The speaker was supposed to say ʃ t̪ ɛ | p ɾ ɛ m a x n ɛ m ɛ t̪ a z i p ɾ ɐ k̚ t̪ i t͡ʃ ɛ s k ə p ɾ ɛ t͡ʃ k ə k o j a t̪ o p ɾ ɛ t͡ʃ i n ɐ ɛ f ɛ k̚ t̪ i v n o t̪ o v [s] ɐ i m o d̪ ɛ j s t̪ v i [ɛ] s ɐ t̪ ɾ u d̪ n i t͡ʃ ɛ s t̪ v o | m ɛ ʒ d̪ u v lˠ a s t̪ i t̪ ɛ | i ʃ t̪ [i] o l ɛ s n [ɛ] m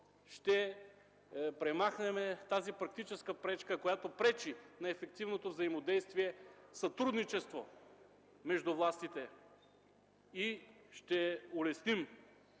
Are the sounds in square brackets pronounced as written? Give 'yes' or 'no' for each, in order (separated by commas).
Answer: no, yes, no, no